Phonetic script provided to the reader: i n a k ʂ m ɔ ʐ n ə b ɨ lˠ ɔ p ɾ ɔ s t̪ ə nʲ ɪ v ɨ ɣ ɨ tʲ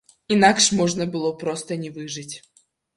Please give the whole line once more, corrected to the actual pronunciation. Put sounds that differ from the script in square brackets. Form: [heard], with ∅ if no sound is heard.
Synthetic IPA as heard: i n a k ʂ m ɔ ʐ n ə b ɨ lˠ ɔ p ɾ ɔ s t̪ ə nʲ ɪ v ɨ [ʐ] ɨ tʲ